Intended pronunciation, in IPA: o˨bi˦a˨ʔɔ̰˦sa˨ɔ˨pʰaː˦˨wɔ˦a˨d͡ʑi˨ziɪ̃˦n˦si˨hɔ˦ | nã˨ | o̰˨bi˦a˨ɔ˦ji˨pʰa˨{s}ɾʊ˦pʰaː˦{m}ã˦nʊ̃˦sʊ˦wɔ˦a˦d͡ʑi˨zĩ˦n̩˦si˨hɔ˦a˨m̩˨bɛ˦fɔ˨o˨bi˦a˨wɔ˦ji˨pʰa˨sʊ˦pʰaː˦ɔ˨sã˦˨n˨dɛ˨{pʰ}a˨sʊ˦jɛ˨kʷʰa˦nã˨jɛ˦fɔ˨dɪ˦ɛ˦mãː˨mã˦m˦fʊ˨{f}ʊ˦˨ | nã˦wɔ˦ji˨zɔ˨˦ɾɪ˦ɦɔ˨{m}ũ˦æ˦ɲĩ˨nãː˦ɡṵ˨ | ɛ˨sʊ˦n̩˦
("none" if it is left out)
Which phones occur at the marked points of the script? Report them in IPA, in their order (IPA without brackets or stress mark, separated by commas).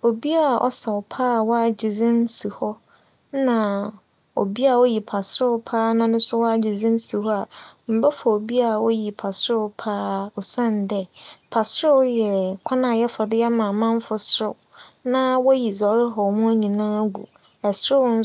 s, n, pʰ, s, m